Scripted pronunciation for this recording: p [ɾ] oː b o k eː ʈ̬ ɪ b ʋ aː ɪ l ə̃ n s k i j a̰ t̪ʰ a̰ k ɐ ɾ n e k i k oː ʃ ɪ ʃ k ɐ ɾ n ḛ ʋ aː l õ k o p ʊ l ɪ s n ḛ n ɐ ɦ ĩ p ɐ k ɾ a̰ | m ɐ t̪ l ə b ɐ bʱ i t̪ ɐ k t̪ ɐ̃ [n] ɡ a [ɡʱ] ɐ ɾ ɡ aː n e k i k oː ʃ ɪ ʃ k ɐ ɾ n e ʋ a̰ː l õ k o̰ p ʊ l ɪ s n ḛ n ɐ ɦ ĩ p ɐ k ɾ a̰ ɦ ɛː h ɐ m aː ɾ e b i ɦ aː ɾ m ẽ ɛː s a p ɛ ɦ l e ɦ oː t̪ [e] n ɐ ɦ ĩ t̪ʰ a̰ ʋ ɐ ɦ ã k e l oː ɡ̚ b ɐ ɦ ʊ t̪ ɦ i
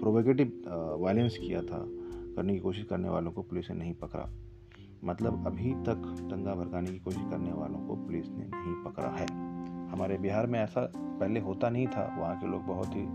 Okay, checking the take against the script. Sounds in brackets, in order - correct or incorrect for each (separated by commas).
correct, incorrect, incorrect, incorrect